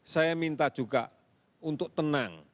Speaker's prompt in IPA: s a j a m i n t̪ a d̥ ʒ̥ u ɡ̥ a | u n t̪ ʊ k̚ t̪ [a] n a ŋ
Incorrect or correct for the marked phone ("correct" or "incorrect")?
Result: incorrect